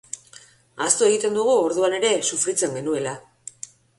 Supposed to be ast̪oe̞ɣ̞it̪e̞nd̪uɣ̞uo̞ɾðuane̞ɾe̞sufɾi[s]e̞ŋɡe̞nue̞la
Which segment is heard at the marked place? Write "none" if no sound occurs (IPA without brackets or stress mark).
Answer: t͡s